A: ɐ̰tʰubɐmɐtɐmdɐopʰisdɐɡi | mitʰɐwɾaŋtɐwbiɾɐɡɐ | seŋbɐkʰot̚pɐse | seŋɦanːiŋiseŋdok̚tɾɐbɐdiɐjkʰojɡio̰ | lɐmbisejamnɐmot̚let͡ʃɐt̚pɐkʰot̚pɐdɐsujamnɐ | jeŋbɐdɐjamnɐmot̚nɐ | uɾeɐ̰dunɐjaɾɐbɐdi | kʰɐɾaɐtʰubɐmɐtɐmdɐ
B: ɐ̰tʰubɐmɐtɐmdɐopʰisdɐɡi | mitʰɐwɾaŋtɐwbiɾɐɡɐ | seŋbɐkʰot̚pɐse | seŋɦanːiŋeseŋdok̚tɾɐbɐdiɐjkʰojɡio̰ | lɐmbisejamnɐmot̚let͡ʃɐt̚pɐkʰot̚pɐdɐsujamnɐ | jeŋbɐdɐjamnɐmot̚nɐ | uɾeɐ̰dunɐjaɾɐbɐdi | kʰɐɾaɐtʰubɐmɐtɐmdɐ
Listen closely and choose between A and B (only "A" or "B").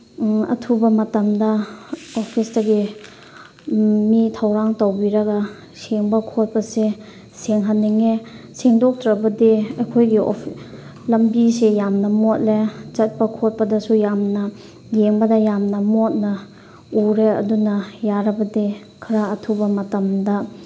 B